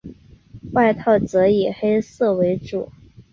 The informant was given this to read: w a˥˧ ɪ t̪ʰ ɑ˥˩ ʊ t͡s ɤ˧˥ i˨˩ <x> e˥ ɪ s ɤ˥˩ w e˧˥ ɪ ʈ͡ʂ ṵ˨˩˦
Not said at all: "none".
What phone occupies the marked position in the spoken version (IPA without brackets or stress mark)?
x